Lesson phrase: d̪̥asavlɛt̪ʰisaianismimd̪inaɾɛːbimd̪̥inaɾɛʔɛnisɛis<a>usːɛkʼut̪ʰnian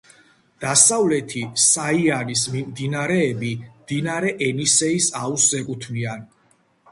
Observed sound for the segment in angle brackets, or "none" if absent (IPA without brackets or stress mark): a